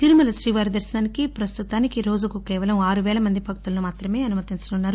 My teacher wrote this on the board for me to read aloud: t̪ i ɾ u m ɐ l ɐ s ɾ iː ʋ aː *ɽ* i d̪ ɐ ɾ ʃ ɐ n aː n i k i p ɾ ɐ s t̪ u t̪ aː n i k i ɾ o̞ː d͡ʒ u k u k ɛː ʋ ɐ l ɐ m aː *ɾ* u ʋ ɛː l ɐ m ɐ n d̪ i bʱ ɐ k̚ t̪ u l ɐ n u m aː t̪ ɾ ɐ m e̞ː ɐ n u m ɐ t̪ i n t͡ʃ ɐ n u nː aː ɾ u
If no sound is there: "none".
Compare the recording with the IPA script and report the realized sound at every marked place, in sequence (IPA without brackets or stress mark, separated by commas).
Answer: ɾ, ɾ